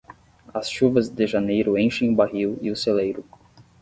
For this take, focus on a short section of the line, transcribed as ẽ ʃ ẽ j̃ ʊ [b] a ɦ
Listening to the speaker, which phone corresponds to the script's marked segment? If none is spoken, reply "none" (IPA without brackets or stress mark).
b